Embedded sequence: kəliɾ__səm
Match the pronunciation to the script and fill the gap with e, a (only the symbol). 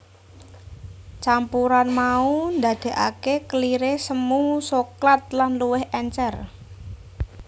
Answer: e